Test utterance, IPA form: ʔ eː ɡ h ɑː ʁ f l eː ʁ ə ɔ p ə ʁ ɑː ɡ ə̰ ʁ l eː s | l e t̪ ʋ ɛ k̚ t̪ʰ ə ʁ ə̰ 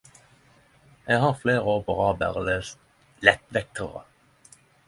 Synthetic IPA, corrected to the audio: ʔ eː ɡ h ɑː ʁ f l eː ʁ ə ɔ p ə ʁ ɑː b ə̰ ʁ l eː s | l ɛ t̪ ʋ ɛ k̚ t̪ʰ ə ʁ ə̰